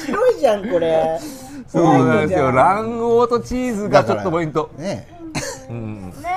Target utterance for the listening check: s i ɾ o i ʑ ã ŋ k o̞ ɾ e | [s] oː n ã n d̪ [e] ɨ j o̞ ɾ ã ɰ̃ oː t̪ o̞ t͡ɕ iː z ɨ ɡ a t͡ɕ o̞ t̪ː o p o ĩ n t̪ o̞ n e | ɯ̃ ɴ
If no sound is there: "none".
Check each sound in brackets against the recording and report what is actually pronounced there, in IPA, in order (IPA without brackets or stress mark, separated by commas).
s, e